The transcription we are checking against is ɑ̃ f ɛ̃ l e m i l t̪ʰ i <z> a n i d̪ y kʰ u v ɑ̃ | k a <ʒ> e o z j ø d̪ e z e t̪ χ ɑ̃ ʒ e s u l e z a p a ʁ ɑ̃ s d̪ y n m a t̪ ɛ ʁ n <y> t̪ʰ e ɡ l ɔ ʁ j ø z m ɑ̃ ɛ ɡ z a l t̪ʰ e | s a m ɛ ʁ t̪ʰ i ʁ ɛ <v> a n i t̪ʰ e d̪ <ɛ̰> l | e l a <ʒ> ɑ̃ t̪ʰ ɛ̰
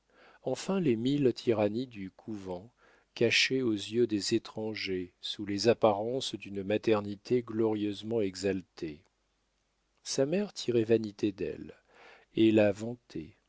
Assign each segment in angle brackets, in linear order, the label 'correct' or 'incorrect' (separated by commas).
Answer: incorrect, incorrect, incorrect, correct, correct, incorrect